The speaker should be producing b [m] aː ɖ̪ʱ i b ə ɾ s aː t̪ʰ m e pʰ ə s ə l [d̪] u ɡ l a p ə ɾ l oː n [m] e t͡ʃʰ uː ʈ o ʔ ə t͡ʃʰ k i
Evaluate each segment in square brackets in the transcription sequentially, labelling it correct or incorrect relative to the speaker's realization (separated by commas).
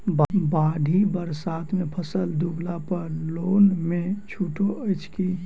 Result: incorrect, correct, correct